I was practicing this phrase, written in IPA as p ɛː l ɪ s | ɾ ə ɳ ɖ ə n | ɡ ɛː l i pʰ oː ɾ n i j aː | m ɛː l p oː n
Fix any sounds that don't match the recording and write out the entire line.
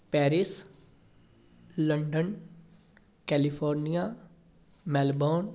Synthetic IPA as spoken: p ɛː ɾ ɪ s | l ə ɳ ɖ ə n | k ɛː l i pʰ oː ɾ n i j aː | m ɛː l b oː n

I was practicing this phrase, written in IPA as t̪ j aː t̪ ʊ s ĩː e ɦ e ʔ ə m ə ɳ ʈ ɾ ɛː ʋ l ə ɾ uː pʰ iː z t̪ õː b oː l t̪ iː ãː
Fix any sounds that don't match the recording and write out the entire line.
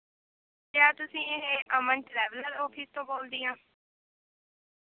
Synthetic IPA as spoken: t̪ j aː t̪ ʊ s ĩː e ɦ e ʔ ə m ə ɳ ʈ ɾ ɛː ʋ l ə ɾ ɔː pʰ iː s t̪ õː b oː l d̪ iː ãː

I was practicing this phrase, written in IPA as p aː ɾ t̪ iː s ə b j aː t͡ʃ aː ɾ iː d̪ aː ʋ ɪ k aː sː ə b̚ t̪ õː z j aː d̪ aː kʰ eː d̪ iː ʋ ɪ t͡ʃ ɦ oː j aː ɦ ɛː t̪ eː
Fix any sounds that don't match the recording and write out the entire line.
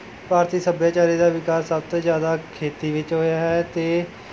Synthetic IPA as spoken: p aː ɾ t̪ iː s ə b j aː t͡ʃ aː ɾ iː d̪ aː ʋ ɪ k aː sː ə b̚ t̪ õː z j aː d̪ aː kʰ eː t̪ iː ʋ ɪ t͡ʃ ɦ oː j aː ɦ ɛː t̪ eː

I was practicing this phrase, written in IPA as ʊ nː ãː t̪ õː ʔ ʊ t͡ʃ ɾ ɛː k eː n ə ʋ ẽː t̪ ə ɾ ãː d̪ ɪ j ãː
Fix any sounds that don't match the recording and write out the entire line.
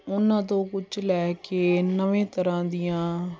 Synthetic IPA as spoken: ʊ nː ãː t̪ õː k ʊ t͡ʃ l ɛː k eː n ə ʋ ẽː t̪ ə ɾ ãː d̪ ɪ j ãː

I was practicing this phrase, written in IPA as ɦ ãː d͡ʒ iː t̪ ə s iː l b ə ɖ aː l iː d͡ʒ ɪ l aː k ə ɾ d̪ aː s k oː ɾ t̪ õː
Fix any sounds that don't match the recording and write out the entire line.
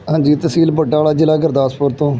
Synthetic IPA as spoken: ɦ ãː d͡ʒ iː t̪ ə s iː l b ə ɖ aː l aː d͡ʒ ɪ l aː ɡ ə ɾ d̪ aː s p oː ɾ t̪ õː

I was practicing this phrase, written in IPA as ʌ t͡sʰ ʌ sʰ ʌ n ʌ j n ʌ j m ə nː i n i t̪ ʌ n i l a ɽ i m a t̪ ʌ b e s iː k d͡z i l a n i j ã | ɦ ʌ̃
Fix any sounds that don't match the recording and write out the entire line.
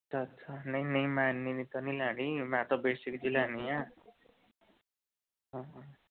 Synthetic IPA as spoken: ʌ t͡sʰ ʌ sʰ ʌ n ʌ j n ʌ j m a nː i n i t̪ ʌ n i l a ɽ i m a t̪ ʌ b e s i k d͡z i l a n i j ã | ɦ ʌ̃

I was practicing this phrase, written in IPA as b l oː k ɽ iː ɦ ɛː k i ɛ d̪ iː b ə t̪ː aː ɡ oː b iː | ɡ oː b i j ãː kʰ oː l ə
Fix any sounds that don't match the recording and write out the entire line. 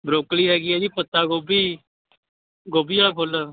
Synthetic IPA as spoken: b ɾ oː k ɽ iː ɦ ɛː ɡ i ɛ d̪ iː p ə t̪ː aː ɡ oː b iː | ɡ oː b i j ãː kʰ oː l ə

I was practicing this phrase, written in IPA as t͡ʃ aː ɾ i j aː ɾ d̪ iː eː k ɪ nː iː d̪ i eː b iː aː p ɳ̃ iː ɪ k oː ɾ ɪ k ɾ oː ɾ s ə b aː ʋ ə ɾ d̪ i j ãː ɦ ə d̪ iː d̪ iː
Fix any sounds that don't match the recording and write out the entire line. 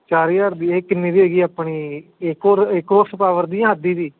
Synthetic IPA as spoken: t͡ʃ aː ɾ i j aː ɾ d̪ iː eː k ɪ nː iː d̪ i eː ɡ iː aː p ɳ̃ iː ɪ k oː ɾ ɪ k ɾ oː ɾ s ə p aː ʋ ə ɾ d̪ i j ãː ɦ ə d̪ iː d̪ iː

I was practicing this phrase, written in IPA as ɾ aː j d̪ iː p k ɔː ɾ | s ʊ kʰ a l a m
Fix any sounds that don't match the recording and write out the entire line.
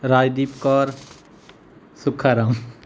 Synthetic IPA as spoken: ɾ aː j d̪ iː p k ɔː ɾ | s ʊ kʰ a ɾ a m

